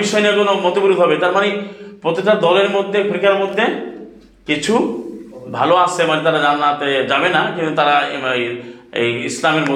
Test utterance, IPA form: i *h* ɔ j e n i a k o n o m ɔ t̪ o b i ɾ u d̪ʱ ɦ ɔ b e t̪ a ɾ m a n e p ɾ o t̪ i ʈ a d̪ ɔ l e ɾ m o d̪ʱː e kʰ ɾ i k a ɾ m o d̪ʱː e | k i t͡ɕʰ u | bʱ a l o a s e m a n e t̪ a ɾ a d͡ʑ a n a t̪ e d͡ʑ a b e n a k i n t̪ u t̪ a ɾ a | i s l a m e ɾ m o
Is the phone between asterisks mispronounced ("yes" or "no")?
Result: yes